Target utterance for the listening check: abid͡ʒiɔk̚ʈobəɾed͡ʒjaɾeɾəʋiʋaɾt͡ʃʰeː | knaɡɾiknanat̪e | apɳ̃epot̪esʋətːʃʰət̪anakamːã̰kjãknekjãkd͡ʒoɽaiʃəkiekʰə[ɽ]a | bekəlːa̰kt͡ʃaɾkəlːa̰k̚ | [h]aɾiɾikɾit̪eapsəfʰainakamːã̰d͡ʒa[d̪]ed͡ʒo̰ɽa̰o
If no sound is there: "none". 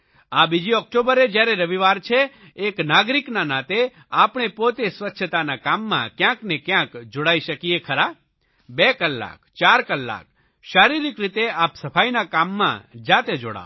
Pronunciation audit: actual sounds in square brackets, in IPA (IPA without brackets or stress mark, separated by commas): ɾ, ʃ, t̪